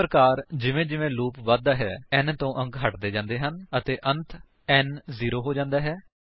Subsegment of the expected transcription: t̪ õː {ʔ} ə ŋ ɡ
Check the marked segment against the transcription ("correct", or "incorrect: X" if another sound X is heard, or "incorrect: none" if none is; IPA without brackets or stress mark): correct